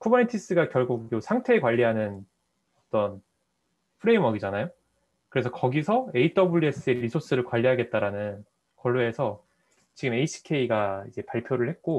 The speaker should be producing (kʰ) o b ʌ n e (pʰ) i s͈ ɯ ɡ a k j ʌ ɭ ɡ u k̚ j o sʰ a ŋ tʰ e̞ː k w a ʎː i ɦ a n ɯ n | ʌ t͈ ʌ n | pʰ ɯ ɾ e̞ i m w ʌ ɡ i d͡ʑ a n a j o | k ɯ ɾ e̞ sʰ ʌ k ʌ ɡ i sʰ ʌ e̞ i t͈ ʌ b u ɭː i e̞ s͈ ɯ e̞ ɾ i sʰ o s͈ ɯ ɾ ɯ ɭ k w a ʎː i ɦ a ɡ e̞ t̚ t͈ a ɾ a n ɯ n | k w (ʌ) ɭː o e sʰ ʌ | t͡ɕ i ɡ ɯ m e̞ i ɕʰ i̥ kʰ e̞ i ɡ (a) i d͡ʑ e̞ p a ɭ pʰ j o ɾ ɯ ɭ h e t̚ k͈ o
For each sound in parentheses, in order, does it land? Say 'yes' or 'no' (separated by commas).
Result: yes, no, yes, yes